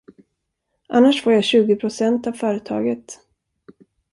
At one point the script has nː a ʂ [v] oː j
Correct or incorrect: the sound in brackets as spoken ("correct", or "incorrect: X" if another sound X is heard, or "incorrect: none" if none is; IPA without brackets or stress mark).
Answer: incorrect: f